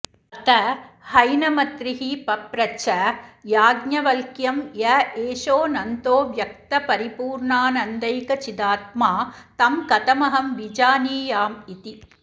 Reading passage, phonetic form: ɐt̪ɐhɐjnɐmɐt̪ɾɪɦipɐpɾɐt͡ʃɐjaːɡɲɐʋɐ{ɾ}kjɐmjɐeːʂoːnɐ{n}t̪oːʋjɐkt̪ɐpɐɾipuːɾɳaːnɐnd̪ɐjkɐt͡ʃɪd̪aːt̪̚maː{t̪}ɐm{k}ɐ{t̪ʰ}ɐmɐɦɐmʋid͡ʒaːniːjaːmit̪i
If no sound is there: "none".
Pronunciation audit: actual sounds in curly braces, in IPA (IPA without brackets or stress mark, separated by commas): l, n, t̪, k, t̪